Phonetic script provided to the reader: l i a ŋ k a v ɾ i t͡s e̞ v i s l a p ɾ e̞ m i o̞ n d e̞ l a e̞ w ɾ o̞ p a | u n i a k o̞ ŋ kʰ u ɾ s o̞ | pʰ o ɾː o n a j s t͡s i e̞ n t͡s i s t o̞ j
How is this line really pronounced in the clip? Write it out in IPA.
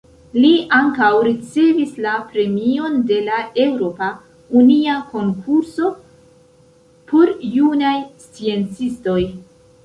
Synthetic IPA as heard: l i a ŋ k a w ɾ i t͡s e̞ v i s l a p ɾ e̞ m i o̞ n d e̞ l a e̞ w ɾ o̞ p a | u n i a k o̞ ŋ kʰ u ɾ s o̞ | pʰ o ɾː u n a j s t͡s i e̞ n t͡s i s t o̞ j